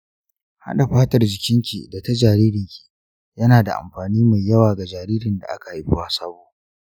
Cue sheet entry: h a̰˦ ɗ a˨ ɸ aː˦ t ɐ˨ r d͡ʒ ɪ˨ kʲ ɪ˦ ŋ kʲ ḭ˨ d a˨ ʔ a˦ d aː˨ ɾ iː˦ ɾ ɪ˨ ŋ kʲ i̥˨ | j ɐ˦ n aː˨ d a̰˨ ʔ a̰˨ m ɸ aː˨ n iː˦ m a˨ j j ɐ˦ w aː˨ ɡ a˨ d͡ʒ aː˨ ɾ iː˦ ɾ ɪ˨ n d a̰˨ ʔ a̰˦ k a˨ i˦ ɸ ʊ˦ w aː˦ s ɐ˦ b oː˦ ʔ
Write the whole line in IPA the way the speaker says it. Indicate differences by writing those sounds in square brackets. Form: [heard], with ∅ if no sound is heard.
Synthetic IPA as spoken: h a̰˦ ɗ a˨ ɸ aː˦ t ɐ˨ r d͡ʒ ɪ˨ kʲ ɪ˦ ŋ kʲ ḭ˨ d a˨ [t] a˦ [d͡ʒ] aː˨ ɾ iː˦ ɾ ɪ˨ ŋ kʲ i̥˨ | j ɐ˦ n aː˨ d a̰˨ ʔ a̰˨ m ɸ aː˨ n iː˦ m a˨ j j ɐ˦ w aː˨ ɡ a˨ d͡ʒ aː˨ ɾ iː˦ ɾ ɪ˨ n d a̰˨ ʔ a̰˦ k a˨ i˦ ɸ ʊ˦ w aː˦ s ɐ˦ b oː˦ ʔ